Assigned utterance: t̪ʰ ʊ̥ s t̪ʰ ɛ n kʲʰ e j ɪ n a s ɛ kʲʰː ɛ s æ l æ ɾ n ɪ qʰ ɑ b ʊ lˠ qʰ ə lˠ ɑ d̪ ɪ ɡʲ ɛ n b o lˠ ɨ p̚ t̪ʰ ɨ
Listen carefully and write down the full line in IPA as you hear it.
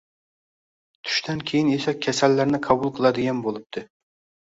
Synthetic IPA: t̪ʰ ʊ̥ ʃ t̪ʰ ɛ n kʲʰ e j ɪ n e s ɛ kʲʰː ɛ s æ lː æ ɾ n ɪ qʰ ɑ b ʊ lˠ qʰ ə lˠ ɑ d̪ ɪ ɡʲ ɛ n b o lˠ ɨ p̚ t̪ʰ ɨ